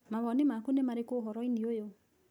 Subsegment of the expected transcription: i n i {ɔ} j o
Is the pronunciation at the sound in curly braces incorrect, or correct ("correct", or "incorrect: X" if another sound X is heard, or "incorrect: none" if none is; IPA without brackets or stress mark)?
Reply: incorrect: o